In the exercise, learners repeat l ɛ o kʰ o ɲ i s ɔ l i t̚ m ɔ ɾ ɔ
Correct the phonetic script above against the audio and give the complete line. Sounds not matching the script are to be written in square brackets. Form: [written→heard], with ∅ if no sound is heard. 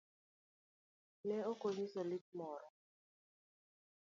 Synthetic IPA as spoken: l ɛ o [kʰ→k] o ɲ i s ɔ l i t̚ m ɔ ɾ ɔ